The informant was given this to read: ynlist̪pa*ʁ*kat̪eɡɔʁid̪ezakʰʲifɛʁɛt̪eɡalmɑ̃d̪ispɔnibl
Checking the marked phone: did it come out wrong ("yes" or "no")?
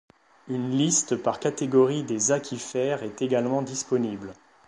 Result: no